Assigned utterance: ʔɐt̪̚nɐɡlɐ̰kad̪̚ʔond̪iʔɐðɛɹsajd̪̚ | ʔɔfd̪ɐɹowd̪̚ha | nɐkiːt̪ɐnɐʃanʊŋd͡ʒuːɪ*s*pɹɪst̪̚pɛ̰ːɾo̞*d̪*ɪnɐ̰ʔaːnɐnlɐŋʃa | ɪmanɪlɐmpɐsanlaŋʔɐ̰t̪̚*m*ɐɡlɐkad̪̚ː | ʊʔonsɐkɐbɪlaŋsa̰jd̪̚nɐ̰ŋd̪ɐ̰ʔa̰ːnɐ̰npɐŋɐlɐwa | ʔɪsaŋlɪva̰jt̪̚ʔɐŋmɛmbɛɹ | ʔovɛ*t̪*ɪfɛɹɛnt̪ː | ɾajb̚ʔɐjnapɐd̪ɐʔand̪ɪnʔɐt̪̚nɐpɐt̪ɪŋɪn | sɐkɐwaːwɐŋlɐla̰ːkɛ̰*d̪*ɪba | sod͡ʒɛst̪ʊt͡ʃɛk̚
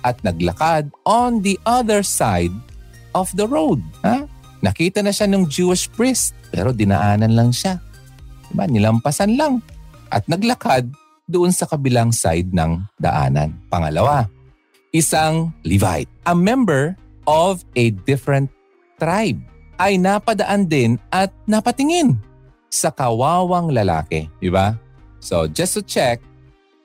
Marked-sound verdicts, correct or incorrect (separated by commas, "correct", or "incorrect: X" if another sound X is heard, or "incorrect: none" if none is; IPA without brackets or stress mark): incorrect: ʃ, correct, incorrect: n, incorrect: d̪, correct